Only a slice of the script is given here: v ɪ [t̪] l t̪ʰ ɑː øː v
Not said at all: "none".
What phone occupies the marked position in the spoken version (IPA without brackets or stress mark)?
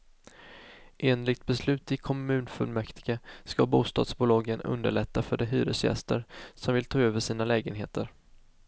none